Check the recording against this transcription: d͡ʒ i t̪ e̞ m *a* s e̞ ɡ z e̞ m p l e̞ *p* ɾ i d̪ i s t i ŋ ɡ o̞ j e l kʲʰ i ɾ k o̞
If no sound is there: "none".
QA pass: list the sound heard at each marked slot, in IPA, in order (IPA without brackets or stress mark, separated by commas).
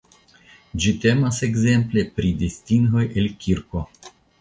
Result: a, p